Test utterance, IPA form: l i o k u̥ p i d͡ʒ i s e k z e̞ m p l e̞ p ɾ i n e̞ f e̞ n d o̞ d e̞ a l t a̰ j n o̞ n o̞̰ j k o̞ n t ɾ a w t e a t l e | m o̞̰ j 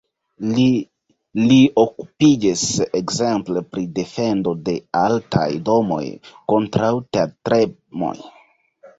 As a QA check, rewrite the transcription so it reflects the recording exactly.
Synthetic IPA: l i o k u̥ p i d͡ʒ i s e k z e̞ m p l e̞ p ɾ i d e̞ f e̞ n d o̞ d e̞ a l t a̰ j d o̞ m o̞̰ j k o̞ n t ɾ a w t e a t ɾ e | m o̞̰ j